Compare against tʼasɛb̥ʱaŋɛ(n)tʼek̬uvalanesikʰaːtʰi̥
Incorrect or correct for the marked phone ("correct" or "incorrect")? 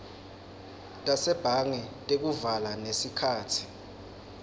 incorrect